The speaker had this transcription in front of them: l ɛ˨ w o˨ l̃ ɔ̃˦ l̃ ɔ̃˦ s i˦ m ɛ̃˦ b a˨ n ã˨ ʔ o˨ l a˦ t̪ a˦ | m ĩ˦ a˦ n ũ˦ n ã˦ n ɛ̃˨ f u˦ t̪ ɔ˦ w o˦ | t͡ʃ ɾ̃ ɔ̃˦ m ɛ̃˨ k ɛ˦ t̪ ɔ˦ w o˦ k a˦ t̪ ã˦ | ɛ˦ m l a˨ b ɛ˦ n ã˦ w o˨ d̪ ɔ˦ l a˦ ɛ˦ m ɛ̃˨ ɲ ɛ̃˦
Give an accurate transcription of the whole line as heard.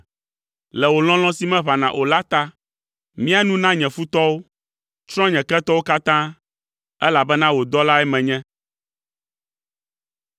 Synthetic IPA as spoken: l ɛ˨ w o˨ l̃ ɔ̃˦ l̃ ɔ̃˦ s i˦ m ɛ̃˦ β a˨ n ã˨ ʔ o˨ l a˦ t̪ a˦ | m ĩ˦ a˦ n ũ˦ n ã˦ ɲ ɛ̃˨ f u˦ t̪ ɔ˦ w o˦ | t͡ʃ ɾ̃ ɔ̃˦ ɲ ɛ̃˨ k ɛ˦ t̪ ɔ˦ w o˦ k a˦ t̪ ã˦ | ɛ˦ l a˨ b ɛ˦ n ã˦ w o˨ d̪ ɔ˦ l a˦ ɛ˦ m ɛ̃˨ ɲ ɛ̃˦